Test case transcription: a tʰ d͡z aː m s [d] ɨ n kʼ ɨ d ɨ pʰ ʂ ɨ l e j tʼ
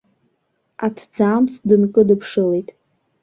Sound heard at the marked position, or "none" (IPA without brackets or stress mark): d